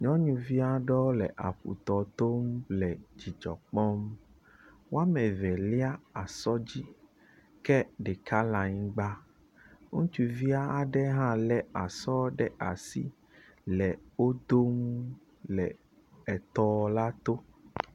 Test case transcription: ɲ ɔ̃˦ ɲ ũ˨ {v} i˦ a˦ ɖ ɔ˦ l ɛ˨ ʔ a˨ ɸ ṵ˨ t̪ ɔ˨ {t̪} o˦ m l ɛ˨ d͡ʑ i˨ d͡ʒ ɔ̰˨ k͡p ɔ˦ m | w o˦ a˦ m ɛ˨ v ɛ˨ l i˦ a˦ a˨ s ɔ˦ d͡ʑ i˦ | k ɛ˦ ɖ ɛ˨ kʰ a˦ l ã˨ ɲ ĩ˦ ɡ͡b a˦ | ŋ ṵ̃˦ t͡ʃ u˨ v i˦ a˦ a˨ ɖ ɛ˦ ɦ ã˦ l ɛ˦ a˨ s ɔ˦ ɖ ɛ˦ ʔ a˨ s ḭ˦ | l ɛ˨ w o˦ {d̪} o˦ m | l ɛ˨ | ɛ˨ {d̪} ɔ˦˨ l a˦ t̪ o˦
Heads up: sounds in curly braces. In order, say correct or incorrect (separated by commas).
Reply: correct, correct, correct, incorrect